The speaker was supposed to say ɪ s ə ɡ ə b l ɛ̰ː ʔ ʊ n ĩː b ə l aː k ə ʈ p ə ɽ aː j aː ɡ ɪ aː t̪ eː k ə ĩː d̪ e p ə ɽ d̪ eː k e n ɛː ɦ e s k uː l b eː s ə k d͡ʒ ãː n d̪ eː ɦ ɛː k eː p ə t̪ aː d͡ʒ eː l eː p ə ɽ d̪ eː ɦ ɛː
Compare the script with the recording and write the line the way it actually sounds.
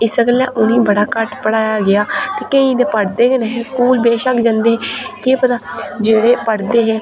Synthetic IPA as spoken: ɪ s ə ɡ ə l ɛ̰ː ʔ ʊ n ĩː b ə ɽ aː k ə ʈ p ə ɽ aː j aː ɡ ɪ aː t̪ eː k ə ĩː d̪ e p ə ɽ d̪ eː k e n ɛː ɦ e s k uː l b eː ʃ ə k d͡ʒ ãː n d̪ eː ɦ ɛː k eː p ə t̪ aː d͡ʒ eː ɽ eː p ə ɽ d̪ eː ɦ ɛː